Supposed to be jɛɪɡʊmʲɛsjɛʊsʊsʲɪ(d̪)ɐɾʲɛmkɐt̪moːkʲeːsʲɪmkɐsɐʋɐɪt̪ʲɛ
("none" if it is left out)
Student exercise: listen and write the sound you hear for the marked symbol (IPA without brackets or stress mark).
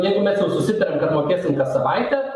t̪